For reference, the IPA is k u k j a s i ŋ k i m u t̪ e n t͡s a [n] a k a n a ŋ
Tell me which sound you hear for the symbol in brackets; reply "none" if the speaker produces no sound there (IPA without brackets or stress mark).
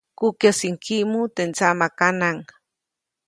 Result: m